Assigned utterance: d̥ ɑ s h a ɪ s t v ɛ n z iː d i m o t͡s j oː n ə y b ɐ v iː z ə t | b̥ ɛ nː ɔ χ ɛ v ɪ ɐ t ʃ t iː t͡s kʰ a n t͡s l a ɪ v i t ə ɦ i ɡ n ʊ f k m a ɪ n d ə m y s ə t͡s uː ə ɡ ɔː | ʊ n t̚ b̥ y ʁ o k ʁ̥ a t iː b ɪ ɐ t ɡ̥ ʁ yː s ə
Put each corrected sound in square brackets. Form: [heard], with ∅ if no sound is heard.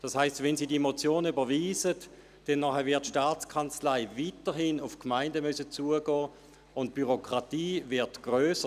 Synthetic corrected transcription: d̥ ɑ s h a ɪ s t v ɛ n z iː d i m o t͡s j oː n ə y b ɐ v iː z ə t | [d̥] ɛ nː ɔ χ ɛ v ɪ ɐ t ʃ t [aː] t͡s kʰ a n t͡s l a ɪ v i t ə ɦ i [∅] n ʊ f k m a ɪ n d ə m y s ə t͡s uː ə ɡ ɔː | ʊ n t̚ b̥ y ʁ o k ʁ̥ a t iː [v] ɪ ɐ t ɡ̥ ʁ [øː] s ə